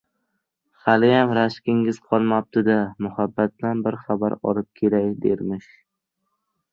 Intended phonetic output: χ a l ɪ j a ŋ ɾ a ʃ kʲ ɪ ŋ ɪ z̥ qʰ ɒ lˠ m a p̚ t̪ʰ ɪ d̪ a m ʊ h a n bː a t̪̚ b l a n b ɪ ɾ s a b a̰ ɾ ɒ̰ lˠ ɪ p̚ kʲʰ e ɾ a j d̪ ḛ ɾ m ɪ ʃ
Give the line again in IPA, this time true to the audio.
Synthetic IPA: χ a l ɪ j a m ɾ a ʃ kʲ ɪ ŋ ɪ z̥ qʰ ɒ lˠ m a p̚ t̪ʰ ɪ d̪ a m ʊ h a bː a t̪̚ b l a n b ɪ ɾ χ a b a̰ ɾ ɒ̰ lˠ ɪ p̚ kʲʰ e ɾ a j d̪ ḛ ɾ m ɪ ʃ